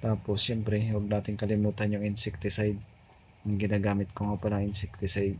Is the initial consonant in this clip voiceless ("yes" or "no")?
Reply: yes